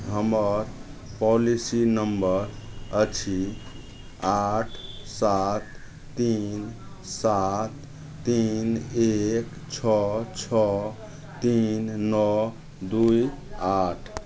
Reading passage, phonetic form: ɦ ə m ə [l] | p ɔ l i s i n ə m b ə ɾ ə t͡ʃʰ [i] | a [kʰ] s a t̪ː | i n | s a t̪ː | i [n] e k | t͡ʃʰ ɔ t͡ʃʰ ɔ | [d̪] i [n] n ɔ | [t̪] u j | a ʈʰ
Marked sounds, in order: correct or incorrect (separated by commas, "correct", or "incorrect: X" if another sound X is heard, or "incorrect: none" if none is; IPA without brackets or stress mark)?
incorrect: ɾ, correct, incorrect: ʈʰ, correct, incorrect: t̪, correct, incorrect: d̪